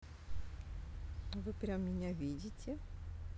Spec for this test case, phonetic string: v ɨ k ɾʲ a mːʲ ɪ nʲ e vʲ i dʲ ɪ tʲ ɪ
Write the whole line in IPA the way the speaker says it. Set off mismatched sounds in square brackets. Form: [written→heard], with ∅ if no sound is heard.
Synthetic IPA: v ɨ [k→p] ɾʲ a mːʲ ɪ nʲ [e→a] vʲ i dʲ ɪ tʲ ɪ